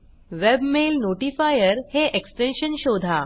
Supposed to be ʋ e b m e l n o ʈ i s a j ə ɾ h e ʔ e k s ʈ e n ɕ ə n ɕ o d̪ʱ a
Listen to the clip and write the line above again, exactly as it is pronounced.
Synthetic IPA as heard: ʋ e b m e l n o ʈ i f a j ə ɾ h e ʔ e k s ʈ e n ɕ ə n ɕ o d̪ʱ a